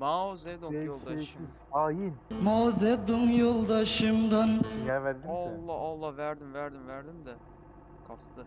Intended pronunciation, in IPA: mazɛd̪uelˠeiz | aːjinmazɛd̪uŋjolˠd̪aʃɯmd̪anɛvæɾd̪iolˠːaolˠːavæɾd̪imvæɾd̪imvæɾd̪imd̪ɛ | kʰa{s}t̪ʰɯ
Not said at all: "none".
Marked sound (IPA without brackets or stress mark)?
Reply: s